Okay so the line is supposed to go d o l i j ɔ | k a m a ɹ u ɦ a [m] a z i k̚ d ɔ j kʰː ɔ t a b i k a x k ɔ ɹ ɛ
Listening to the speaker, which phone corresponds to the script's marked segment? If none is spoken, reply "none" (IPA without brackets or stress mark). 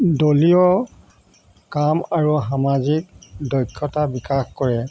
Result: m